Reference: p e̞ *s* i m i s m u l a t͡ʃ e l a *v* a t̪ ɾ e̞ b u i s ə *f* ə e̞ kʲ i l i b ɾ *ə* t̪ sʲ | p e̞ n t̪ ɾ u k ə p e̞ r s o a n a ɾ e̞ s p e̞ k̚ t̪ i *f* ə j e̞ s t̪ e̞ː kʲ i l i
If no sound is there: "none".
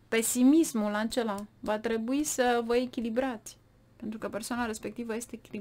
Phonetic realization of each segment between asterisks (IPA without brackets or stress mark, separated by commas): s, v, v, a, v